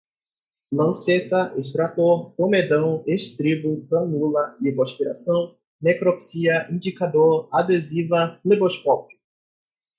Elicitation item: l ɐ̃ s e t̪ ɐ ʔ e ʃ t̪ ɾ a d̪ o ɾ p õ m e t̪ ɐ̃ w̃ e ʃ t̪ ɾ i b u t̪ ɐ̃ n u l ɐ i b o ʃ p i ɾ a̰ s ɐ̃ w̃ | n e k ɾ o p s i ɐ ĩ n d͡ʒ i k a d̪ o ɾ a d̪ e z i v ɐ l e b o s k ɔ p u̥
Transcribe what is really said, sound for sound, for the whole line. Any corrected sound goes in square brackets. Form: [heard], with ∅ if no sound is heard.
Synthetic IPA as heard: l ɐ̃ s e t̪ ɐ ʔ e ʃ t̪ ɾ a [t̪] o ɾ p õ m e [d̪] ɐ̃ w̃ e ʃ t̪ ɾ i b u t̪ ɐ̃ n u l ɐ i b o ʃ p i ɾ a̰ s ɐ̃ w̃ | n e k ɾ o p s i ɐ ĩ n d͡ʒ i k a d̪ o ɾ a d̪ e z i v ɐ l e b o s k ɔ p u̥